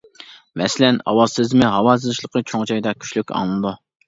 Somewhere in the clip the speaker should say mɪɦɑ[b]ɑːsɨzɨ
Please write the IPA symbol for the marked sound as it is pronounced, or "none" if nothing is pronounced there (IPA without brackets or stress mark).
w